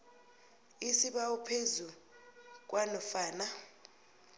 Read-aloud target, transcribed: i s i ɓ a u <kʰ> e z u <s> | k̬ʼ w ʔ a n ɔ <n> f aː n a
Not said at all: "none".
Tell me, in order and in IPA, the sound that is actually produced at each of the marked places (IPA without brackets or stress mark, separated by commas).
pʰ, none, none